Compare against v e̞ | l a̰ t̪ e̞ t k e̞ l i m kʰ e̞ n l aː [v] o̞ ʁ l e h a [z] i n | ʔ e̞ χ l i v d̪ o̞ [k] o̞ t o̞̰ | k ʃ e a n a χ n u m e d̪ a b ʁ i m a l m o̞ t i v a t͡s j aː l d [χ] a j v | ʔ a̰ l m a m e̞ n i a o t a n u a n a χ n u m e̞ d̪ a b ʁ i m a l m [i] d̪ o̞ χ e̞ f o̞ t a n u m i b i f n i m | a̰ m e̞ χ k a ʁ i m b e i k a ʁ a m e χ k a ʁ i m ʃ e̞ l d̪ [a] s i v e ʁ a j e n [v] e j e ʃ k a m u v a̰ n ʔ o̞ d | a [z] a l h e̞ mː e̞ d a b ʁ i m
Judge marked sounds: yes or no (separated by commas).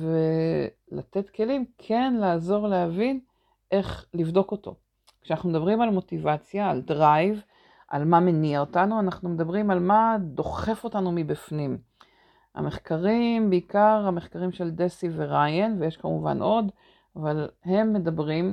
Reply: no, no, yes, no, no, no, yes, no